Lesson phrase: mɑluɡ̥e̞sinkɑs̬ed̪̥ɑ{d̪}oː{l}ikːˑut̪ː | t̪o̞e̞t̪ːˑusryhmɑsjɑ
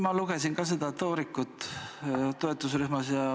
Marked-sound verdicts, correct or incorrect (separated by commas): incorrect, incorrect